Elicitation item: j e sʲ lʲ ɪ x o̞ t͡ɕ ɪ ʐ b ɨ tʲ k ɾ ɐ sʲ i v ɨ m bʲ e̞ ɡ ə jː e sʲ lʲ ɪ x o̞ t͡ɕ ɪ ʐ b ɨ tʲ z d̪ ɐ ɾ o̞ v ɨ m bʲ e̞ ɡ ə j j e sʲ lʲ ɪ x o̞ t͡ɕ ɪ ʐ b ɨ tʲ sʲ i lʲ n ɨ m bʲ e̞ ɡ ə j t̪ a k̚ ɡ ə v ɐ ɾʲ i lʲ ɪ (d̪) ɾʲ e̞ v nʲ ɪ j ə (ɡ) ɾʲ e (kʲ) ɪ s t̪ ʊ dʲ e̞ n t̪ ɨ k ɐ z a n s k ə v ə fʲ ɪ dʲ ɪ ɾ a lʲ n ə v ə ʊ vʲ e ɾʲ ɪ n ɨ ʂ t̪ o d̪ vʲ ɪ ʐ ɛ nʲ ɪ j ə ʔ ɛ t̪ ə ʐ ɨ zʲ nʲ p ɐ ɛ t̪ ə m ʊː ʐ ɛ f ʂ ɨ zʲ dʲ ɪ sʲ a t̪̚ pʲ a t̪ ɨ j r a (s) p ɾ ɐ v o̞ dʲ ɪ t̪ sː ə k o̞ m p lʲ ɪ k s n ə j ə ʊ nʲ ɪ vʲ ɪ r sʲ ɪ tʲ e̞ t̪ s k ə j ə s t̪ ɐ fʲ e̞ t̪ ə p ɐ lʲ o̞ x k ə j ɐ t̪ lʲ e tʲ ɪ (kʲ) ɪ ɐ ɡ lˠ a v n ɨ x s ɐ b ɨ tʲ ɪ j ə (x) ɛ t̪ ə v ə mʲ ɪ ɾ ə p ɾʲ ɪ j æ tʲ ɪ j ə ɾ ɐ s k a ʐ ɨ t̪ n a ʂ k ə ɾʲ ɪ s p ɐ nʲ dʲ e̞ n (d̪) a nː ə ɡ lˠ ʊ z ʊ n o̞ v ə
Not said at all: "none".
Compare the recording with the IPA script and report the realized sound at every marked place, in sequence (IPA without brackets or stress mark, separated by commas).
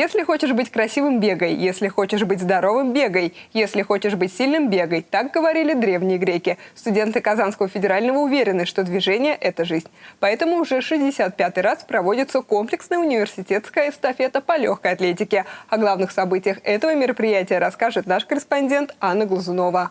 d̪, ɡ, kʲ, s, kʲ, x, t̪